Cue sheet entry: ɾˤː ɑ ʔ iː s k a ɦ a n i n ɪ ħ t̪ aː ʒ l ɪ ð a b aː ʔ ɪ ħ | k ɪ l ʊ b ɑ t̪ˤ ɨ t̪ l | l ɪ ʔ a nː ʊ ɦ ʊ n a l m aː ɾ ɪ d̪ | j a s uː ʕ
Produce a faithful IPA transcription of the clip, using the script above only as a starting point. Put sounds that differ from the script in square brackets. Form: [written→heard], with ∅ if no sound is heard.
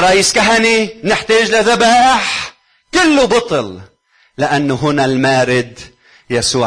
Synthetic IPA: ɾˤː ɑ ʔ iː s k a ɦ a n i n ɪ ħ t̪ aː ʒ l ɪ ð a b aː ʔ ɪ ħ | k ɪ [l→lː] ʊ b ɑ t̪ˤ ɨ [t̪→∅] l | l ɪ ʔ a nː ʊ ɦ ʊ n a l m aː ɾ ɪ d̪ | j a s uː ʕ